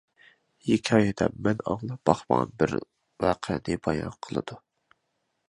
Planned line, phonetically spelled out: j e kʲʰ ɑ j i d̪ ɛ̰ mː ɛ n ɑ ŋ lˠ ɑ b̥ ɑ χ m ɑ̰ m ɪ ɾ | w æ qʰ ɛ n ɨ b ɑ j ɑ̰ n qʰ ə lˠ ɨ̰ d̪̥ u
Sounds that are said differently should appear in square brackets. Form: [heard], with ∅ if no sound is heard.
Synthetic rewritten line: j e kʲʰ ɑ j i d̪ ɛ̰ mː ɛ n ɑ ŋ lˠ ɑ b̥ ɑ χ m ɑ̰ [b] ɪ ɾ | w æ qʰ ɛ n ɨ b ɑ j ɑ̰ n qʰ ə lˠ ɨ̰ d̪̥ u